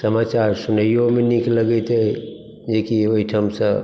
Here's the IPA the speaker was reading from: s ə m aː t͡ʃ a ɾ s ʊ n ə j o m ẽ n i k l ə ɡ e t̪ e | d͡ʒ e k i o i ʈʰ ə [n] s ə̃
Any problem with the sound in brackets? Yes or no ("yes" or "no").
yes